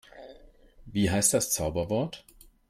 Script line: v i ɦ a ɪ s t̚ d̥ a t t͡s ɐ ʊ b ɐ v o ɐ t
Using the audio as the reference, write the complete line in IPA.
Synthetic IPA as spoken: v iː ɦ a ɪ s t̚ d̥ a s t͡s a ʊ b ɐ v ɔ ɐ t